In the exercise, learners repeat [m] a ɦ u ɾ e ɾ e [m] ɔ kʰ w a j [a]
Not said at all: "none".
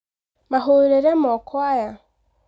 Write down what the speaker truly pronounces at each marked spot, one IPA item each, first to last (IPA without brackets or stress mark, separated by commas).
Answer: m, m, a